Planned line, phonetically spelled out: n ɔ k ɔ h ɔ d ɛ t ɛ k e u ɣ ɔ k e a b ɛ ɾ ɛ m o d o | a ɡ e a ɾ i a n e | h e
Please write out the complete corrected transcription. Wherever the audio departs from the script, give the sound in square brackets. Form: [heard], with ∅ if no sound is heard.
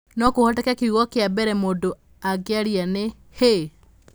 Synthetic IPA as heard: n ɔ k [o] h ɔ [t] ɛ [k] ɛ k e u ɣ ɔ k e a b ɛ ɾ ɛ m o d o | a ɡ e a ɾ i a n e | h e